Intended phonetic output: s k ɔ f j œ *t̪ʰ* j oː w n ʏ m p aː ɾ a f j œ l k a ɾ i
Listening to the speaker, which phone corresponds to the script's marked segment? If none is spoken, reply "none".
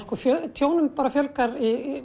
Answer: t̪ʰ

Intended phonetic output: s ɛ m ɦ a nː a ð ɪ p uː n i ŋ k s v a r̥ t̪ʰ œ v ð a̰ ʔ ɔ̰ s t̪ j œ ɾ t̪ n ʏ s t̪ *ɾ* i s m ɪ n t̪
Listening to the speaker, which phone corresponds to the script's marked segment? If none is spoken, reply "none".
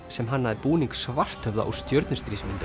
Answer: ɾ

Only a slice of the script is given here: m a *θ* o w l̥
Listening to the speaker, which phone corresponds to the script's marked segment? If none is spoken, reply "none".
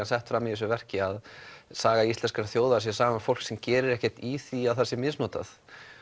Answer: f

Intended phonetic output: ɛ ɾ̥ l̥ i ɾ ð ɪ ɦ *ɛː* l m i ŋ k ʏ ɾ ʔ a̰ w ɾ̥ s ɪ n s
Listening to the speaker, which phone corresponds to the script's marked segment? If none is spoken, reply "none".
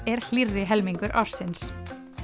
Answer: ɛ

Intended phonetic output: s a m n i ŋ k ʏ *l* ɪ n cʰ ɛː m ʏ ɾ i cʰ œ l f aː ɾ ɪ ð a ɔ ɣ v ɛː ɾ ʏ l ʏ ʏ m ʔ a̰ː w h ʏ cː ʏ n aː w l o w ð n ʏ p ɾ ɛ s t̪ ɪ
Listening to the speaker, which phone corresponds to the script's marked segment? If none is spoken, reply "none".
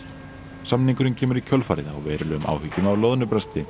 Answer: ɾ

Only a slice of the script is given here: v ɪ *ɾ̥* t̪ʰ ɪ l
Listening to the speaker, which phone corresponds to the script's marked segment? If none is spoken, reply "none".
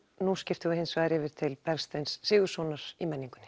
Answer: ɾ̥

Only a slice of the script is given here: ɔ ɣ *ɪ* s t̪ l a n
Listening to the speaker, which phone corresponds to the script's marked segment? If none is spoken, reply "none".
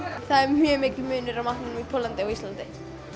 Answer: i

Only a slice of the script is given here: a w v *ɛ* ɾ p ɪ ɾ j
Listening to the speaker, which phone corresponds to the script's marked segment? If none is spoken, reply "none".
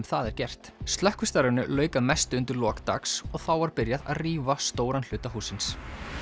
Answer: a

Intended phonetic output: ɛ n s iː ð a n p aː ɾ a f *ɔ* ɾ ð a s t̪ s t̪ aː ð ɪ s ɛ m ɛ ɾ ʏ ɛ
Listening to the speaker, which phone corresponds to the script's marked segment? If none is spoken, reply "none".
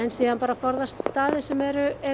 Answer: ɔ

